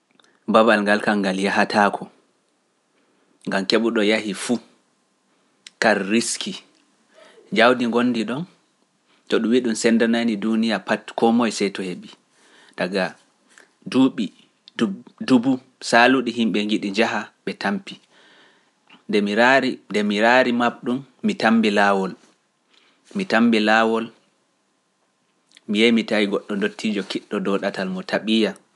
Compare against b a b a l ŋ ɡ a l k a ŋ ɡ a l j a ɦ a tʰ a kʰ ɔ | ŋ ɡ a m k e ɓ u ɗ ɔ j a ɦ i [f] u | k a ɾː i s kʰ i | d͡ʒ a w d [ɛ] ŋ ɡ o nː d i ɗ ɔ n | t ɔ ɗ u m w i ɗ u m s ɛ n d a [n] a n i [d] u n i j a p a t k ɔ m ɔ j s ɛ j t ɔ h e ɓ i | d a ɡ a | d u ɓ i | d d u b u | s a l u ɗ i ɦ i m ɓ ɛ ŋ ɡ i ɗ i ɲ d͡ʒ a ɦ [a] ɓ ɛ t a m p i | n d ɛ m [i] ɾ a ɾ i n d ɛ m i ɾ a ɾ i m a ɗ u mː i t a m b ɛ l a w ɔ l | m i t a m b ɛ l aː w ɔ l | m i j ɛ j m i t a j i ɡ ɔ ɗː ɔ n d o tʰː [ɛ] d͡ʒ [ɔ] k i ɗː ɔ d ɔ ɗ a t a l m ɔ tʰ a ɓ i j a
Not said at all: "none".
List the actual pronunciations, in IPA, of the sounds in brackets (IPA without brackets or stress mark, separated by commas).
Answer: f, i, n, d, a, i, i, ɔ